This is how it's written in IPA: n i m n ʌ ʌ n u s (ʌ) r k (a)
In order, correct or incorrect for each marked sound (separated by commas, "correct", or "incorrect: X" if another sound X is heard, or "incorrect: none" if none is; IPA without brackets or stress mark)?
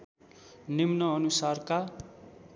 incorrect: a, correct